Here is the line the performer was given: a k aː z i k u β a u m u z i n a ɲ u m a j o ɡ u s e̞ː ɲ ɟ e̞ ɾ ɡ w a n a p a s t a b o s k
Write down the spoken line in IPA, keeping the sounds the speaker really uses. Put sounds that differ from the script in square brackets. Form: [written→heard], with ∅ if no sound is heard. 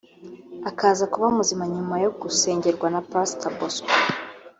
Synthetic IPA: a k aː z [i→a] k u β a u m u z i [n→m] a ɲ u m a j o ɡ u s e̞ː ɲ ɟ e̞ ɾ ɡ w a n a p a s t a b o s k